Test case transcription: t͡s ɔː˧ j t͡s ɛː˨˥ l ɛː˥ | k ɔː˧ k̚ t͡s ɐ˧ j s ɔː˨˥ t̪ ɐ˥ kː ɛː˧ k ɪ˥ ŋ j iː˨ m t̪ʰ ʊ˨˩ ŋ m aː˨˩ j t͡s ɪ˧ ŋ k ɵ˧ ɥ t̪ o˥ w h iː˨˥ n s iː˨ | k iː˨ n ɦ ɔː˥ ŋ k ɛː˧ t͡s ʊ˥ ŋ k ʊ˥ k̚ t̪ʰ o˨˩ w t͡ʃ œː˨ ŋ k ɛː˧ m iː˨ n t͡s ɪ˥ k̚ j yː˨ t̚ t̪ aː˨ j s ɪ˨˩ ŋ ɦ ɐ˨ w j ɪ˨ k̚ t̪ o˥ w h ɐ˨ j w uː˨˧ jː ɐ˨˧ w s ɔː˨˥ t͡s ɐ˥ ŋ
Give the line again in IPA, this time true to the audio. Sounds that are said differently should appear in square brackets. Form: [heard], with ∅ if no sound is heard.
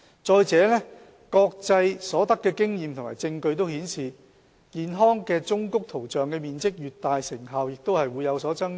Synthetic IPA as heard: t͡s ɔː˧ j t͡s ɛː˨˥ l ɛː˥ | k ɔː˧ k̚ t͡s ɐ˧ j s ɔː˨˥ t̪ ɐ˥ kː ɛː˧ k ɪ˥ ŋ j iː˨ m t̪ʰ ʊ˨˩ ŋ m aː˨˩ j t͡s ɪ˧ ŋ k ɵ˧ ɥ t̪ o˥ w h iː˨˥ n s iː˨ | k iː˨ n ɦ ɔː˥ ŋ k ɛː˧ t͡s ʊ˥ ŋ k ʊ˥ k̚ t̪ʰ o˨˩ w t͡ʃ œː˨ ŋ k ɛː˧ m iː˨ n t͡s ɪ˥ k̚ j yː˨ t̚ t̪ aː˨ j s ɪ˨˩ ŋ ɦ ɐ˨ w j ɪ˨ k̚ t̪ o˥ w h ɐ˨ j w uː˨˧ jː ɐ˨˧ w s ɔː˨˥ t͡s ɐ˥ ŋ